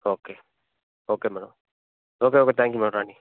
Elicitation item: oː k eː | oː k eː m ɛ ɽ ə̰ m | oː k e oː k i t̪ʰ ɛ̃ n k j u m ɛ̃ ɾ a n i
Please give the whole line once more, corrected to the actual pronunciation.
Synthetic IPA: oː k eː | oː k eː m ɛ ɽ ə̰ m | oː k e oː k e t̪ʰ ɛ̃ ŋ k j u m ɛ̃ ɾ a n i

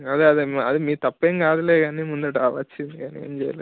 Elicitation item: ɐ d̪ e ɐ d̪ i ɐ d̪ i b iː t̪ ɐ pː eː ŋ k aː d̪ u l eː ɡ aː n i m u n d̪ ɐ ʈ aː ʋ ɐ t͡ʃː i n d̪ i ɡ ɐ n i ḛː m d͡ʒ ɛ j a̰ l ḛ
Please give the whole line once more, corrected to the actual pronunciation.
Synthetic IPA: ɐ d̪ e ɐ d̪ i ɐ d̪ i m iː t̪ ɐ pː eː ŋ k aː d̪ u l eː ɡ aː n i m u n d̪ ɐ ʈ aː ʋ ɐ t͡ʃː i n d̪ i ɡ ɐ n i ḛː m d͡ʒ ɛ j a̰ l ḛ

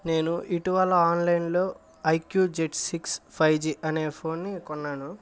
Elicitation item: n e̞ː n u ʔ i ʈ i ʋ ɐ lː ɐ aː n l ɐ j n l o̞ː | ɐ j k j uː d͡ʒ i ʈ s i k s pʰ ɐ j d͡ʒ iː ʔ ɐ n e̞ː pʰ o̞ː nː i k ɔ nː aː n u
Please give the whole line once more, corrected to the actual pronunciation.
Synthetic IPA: n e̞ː n u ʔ i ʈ i ʋ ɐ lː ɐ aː n l ɐ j n l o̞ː | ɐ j k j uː d͡ʒ e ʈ s i k s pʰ ɐ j d͡ʒ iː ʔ ɐ n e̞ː pʰ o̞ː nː i k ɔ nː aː n u

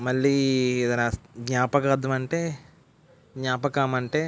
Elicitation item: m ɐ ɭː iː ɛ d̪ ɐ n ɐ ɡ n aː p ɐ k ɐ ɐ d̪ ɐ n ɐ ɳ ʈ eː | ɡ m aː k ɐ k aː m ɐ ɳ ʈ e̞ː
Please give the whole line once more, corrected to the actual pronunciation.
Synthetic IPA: m ɐ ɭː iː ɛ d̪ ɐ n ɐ ɡ ɲ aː p ɐ k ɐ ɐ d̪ ɐ m ɐ ɳ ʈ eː | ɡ ɲ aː p ɐ k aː m ɐ ɳ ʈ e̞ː

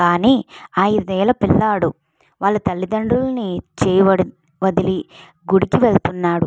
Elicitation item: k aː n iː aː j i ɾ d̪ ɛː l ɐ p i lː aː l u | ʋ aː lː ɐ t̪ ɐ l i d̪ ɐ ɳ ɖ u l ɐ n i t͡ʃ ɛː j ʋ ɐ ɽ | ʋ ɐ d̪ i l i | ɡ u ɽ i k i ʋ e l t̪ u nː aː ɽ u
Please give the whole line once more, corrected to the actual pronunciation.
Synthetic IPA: k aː n iː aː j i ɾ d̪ ɛː l ɐ p i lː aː ɽ u | ʋ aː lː ɐ t̪ ɐ lː i d̪ ɐ ɳ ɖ u l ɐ n i t͡ʃ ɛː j ʋ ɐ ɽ | ʋ ɐ d̪ i l i | ɡ u ɽ i k i ʋ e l t̪ u nː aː ɽ u

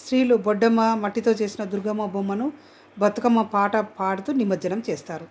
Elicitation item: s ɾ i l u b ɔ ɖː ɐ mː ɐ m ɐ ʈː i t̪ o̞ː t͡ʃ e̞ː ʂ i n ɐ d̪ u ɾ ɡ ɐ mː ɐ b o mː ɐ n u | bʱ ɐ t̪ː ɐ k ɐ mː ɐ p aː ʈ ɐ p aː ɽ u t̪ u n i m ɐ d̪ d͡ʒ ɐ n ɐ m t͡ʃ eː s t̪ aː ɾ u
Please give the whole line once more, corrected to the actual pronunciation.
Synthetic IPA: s ɾ iː l u b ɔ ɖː ɐ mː ɐ m ɐ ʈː i t̪ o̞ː t͡ʃ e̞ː s i n ɐ d̪ u ɾ ɡ ɐ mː ɐ b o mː ɐ n u | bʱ ɐ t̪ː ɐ k ɐ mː ɐ p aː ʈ ɐ p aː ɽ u t̪ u n i m ɐ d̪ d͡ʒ ɐ n ɐ m t͡ʃ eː s t̪ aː ɾ u

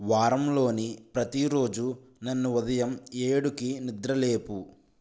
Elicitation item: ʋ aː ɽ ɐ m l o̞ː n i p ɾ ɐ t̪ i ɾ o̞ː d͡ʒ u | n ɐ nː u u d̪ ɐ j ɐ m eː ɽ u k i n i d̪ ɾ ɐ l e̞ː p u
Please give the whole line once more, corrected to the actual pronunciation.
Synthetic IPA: ʋ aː ɾ ɐ m l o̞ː n i p ɾ ɐ t̪ i ɾ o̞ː d͡ʒ u | n ɐ nː u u d̪ ɐ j ɐ m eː ɽ u k i n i d̪ ɾ ɐ l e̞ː p u

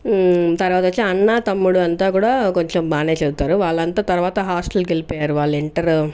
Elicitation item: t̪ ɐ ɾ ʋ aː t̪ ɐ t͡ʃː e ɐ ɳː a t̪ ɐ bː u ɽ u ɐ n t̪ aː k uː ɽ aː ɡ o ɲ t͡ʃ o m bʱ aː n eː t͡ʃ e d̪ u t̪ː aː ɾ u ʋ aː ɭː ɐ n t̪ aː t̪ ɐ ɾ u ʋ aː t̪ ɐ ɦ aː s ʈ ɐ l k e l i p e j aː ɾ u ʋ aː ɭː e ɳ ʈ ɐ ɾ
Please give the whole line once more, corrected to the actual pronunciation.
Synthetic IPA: t̪ ɐ ɾ ʋ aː t̪ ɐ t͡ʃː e ɐ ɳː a t̪ ɐ mː u ɽ u ɐ n t̪ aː k uː ɽ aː k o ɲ t͡ʃ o m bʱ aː n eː t͡ʃ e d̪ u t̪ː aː ɾ u ʋ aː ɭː ɐ n t̪ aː t̪ ɐ ɾ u ʋ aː t̪ ɐ ɦ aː s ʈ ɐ l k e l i p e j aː ɾ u ʋ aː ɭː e ɳ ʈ ɐ ɾ

